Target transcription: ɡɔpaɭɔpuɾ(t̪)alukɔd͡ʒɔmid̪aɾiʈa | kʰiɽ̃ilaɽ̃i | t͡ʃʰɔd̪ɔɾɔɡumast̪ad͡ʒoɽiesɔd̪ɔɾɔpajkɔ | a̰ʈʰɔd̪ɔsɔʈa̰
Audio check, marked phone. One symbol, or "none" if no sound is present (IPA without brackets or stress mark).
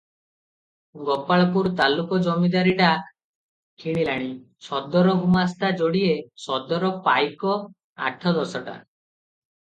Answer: t̪